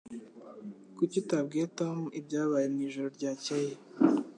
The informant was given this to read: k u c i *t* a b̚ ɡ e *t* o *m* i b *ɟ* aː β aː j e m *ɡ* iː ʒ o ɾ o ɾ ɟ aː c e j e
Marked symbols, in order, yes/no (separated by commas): yes, yes, yes, yes, no